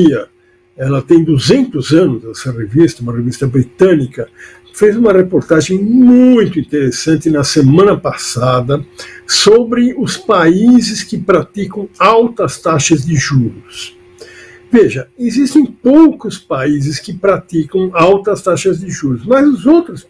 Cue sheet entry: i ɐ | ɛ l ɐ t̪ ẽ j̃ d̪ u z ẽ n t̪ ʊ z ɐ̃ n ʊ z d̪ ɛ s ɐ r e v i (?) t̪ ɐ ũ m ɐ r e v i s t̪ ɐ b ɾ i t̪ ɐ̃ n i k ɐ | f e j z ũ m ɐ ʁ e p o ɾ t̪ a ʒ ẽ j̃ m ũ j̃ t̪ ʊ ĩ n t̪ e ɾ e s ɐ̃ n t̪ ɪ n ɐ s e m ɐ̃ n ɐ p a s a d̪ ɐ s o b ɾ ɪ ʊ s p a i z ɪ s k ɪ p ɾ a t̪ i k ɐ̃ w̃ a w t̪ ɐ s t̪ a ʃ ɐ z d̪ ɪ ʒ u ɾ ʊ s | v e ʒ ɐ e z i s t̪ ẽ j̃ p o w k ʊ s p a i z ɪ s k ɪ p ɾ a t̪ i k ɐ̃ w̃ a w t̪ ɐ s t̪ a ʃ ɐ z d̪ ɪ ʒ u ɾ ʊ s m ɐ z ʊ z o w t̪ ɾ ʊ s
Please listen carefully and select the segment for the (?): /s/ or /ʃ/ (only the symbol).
s